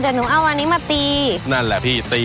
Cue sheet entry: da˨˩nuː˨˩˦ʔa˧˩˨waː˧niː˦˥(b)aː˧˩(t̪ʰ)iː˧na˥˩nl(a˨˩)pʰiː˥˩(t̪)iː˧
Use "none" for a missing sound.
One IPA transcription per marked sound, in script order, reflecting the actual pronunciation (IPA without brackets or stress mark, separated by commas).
m, t̪, ɛ˨˩, t̪